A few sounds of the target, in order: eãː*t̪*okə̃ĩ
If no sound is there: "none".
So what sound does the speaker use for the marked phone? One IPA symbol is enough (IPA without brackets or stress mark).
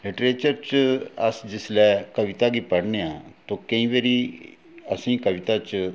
t̪